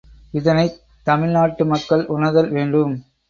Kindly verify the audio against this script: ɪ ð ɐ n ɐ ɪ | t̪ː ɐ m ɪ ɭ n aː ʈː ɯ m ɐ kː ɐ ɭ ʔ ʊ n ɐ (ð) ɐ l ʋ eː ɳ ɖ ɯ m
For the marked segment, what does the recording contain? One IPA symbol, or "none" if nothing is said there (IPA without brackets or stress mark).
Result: ð